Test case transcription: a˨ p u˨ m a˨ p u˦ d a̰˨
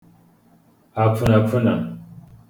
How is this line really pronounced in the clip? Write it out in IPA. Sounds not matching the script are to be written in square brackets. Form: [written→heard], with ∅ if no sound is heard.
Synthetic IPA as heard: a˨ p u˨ [m→n] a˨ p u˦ [d→n] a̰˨